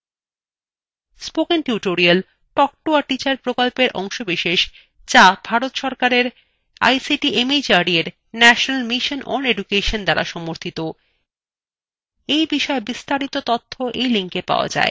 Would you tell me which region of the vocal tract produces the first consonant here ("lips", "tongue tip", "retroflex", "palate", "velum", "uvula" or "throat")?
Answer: tongue tip